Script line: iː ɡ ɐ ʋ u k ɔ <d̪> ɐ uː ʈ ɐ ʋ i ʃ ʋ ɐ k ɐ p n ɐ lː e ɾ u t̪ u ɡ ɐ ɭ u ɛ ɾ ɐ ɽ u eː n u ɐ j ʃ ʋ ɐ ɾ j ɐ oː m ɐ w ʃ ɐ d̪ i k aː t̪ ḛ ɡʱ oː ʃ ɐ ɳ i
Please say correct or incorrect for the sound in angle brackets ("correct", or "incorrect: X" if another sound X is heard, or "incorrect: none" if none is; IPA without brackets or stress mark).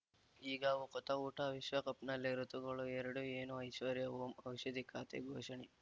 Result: incorrect: t̪